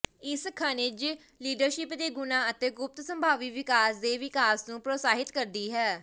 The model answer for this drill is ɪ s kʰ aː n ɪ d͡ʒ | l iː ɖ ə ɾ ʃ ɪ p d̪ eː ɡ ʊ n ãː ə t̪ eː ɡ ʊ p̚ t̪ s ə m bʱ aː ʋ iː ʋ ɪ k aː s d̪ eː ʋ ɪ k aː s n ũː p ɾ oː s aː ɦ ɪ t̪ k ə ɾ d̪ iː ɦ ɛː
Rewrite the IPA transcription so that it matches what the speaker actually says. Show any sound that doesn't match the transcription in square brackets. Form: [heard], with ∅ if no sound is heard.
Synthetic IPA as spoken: ɪ s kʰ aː n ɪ d͡ʒ | l iː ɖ ə ɾ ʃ ɪ p d̪ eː ɡ ʊ n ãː ə t̪ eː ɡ ʊ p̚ t̪ s ə m bʱ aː ʋ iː ʋ ɪ k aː s d̪ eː ʋ ɪ k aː s n ũː p ɾ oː s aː ɦ ɪ t̪ k ə ɾ d̪ iː ɦ ɛː